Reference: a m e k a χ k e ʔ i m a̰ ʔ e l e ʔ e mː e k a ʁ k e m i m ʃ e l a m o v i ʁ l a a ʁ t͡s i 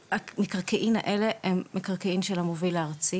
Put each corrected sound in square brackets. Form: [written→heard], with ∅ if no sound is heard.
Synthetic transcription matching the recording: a m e k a [χ→ʁ] k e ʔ i m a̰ ʔ e l e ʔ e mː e k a ʁ k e [m→∅] i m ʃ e l a m o v i [ʁ→∅] l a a ʁ t͡s i